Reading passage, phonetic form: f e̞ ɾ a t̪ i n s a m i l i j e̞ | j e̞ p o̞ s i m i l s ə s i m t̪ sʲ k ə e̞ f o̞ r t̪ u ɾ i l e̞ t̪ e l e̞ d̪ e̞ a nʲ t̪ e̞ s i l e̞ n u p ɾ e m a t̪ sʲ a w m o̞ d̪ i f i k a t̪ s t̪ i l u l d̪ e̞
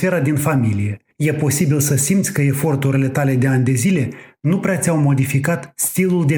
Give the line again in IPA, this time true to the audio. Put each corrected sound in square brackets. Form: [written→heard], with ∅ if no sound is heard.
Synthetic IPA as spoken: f e̞ ɾ a [t̪→d̪] i n [s→f] a m i l i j e̞ | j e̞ p o̞ s i [m→b] i l s ə s i m t̪ sʲ k ə e̞ f o̞ r t̪ u ɾ i l e̞ t̪ [e→a] l e̞ d̪ e̞ a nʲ [t̪→d̪] e̞ [s→z] i l e̞ n u p ɾ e [m→∅] a t̪ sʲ a w m o̞ d̪ i f i k a t̪ s t̪ i l u l d̪ e̞